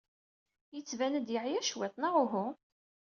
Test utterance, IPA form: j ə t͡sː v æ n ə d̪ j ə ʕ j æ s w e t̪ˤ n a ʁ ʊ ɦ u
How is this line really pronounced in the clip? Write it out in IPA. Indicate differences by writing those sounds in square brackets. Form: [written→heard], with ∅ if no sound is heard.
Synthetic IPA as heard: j ə t͡sː v æ n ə d̪ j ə ʕ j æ [s→ʃ] w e t̪ˤ n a ʁ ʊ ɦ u